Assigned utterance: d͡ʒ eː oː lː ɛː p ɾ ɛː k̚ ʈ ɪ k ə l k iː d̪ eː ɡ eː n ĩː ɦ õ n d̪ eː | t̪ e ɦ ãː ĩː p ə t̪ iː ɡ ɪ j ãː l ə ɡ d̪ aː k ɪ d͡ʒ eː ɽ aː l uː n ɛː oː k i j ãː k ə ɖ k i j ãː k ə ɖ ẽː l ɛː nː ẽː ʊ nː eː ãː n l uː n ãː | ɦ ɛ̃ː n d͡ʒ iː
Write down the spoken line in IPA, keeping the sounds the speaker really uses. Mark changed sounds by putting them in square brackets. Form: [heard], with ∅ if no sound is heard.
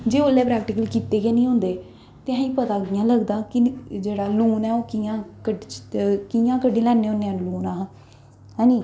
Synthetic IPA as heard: d͡ʒ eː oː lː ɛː p ɾ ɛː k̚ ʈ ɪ k ə l k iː [t̪] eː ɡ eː n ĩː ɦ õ n d̪ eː | t̪ e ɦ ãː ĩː p ə t̪ [aː] ɡ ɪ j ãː l ə ɡ d̪ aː k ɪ d͡ʒ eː ɽ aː l uː n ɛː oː k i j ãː k ə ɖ k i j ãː k ə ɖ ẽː l ɛː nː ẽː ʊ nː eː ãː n l uː n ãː | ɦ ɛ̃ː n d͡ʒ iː

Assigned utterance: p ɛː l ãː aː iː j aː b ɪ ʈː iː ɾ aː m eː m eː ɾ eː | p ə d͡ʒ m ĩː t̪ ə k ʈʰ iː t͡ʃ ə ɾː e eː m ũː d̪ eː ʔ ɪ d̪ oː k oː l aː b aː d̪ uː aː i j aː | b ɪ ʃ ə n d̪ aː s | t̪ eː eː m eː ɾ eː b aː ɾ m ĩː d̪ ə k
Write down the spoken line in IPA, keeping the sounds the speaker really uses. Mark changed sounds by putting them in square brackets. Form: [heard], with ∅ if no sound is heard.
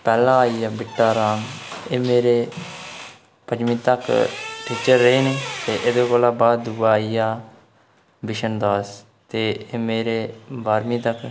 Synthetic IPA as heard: p ɛː l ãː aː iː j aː b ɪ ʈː [aː] ɾ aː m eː m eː ɾ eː | p ə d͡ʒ m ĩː t̪ ə k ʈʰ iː t͡ʃ ə ɾː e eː [n] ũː [t̪] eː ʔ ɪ d̪ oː k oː l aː b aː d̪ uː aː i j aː | b ɪ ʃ ə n d̪ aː s | t̪ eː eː m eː ɾ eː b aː ɾ m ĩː [t̪] ə k

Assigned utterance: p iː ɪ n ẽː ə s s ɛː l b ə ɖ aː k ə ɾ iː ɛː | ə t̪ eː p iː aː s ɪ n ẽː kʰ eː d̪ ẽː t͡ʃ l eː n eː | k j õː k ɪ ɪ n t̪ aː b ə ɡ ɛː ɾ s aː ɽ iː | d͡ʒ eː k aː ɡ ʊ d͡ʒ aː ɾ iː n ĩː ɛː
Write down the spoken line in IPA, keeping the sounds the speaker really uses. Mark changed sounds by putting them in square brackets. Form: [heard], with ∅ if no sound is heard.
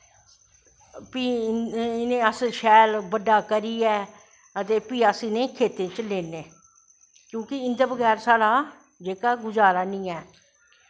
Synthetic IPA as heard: p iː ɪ n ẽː ə s [ʃ] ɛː l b ə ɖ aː k ə ɾ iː ɛː | ə t̪ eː p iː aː s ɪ n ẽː kʰ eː [t̪] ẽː t͡ʃ l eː n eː | k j õː k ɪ ɪ n [d̪] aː b ə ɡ ɛː ɾ s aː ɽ [aː] | d͡ʒ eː k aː ɡ ʊ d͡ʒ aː ɾ [aː] n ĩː ɛː

